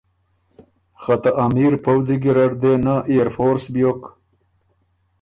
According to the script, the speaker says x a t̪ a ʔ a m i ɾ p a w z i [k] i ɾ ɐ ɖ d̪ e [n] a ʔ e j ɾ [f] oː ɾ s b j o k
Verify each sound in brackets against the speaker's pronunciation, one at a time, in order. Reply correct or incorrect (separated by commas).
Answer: incorrect, correct, correct